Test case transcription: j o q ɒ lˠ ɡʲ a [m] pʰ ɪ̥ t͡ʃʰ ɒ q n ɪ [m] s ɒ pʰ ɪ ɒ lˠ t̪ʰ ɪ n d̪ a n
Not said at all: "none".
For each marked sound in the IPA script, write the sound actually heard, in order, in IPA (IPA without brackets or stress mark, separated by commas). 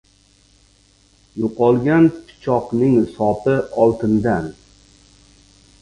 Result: n, ŋ